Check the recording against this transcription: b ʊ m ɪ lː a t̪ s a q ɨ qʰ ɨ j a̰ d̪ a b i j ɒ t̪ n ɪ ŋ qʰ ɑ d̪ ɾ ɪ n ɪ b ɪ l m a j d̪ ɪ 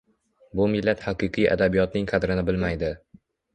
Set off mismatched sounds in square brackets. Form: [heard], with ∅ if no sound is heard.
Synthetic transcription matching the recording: b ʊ m ɪ lː a t̪ [h] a q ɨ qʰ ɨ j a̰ d̪ a b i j ɒ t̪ n ɪ ŋ qʰ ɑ d̪ ɾ ɪ n ɪ b ɪ l m a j d̪ ɪ